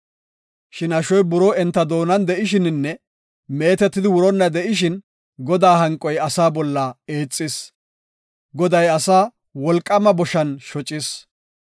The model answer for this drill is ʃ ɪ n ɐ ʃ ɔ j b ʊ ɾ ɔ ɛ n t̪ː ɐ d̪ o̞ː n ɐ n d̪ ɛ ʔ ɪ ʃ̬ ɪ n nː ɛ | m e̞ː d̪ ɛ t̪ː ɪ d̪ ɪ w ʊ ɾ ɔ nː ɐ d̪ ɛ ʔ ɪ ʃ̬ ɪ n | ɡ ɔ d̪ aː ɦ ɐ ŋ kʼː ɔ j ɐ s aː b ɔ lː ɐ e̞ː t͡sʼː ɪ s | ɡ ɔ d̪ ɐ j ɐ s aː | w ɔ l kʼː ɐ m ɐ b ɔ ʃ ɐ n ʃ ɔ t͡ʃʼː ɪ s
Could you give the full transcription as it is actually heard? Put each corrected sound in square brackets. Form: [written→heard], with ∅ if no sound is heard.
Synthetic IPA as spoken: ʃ ɪ n ɐ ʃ ɔ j b ʊ ɾ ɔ ɛ n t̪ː ɐ d̪ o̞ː n ɐ n d̪ ɛ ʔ ɪ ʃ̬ ɪ n nː ɛ | m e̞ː [d̪→t̪] ɛ t̪ː ɪ d̪ ɪ w ʊ ɾ ɔ nː ɐ d̪ ɛ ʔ ɪ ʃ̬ ɪ n | ɡ ɔ d̪ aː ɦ ɐ ŋ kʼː ɔ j ɐ s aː b ɔ lː ɐ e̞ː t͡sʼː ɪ s | ɡ ɔ d̪ ɐ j ɐ s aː | w ɔ l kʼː ɐ m ɐ b ɔ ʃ ɐ n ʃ ɔ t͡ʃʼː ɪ s